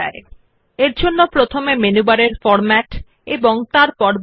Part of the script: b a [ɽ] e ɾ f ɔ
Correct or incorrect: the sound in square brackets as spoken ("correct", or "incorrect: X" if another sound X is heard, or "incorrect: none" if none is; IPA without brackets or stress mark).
incorrect: ɾ